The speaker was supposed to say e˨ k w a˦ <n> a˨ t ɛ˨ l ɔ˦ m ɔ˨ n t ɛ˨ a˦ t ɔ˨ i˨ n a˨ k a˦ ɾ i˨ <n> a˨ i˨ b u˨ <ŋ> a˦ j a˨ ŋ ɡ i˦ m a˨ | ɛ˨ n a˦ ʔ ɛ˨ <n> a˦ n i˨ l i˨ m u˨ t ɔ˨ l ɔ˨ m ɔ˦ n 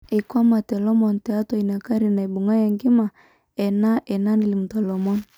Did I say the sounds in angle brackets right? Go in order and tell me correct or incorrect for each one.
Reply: incorrect, correct, correct, correct

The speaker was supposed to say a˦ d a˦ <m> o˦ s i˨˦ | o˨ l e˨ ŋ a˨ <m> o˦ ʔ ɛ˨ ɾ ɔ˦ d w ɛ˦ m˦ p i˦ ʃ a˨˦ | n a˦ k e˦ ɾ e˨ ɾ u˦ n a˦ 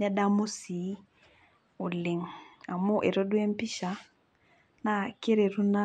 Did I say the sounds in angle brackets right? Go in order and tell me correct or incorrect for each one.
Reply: correct, correct

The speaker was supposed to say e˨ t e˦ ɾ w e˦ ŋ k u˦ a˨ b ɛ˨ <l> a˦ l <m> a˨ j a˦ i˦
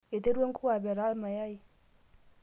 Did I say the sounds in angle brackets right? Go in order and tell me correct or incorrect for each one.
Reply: incorrect, correct

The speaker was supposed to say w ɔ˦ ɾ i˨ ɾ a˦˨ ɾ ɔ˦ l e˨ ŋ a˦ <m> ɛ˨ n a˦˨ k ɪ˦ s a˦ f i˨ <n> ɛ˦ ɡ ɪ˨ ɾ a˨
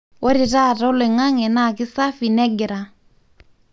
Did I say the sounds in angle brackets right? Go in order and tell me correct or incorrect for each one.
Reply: incorrect, correct

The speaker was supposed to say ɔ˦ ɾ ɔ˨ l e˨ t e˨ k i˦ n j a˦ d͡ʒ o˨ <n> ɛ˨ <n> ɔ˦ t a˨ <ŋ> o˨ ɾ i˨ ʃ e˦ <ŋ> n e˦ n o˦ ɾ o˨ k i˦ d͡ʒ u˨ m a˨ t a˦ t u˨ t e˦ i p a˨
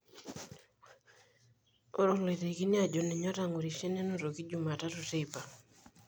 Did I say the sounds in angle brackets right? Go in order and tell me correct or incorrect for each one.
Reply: correct, incorrect, correct, incorrect

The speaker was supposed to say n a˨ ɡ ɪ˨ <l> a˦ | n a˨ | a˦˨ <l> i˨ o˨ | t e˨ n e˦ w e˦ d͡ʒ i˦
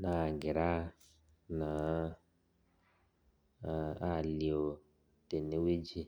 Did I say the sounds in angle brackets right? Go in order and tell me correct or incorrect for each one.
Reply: incorrect, correct

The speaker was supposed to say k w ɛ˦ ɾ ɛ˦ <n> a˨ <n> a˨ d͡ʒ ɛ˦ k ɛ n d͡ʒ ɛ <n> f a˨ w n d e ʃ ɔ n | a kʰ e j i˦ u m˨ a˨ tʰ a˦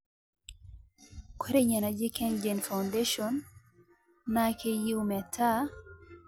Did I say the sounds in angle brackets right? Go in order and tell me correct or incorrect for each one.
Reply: incorrect, correct, correct

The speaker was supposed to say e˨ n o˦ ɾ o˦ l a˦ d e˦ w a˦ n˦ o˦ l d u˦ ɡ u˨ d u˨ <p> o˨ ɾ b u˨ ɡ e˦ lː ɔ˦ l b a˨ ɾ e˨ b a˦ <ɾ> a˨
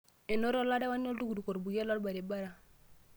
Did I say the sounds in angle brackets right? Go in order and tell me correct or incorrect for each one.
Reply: incorrect, correct

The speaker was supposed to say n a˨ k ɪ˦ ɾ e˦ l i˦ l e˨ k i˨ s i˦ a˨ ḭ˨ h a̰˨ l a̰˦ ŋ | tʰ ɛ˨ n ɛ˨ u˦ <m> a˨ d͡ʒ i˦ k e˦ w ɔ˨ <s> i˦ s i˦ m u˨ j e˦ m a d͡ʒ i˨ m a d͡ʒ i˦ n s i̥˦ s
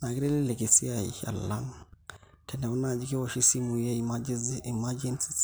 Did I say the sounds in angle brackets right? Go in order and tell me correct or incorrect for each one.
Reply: incorrect, incorrect

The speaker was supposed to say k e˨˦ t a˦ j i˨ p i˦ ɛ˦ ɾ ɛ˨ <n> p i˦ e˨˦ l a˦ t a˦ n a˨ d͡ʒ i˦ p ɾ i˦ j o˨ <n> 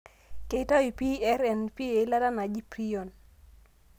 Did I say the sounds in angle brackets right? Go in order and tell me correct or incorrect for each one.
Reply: correct, correct

